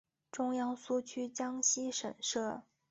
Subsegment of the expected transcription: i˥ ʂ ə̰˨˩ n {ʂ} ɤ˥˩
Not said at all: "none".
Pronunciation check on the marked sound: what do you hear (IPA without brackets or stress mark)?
ʂ